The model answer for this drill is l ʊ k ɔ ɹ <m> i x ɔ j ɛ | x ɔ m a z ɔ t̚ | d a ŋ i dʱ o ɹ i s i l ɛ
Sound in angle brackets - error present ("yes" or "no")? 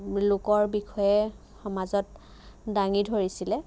yes